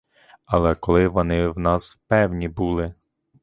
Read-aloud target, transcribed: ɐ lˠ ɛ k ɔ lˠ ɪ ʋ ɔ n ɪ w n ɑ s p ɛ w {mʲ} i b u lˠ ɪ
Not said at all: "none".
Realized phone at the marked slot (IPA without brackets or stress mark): nʲ